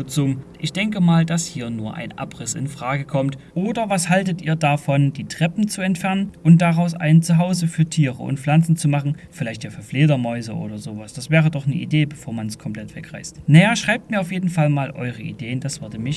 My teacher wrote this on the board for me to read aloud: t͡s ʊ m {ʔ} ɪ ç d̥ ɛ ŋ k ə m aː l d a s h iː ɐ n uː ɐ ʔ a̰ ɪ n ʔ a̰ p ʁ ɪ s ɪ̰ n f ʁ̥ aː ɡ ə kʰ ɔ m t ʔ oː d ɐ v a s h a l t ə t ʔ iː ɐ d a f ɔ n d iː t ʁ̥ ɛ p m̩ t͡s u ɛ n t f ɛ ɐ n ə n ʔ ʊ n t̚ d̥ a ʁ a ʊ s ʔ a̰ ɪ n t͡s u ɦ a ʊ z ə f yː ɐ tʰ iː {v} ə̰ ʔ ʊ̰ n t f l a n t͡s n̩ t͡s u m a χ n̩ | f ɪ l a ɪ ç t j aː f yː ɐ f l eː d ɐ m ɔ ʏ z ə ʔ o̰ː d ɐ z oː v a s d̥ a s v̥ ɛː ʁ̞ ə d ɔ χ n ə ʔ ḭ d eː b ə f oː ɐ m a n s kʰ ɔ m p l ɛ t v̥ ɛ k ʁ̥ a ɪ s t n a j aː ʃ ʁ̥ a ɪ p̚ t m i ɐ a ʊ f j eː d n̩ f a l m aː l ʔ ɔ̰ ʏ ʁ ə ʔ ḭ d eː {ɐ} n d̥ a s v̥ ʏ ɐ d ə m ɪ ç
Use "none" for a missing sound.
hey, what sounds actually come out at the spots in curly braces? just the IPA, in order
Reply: ʔ, ʁ, ə

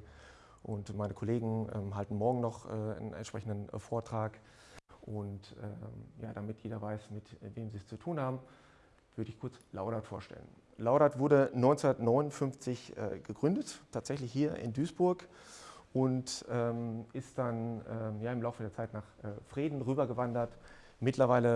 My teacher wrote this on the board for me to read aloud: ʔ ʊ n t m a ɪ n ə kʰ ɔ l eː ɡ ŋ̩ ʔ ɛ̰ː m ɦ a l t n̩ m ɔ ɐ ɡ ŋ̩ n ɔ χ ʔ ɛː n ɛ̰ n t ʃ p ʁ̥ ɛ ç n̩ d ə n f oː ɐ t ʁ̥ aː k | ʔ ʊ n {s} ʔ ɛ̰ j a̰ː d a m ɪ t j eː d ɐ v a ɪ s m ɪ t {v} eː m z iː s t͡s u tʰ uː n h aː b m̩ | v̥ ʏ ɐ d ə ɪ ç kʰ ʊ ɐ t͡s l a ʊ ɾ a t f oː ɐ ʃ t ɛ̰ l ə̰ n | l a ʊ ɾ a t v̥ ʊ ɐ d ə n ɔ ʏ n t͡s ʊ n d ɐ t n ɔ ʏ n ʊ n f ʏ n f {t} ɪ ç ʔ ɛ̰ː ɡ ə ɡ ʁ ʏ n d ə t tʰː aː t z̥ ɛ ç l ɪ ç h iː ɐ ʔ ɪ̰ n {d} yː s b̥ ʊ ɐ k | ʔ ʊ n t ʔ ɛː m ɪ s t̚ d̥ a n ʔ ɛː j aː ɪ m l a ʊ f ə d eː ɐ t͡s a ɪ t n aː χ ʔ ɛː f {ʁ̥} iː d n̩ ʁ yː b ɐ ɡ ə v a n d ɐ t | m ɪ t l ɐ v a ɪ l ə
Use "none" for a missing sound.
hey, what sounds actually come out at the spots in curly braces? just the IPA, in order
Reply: t, v, t͡s, d, ʁ̥

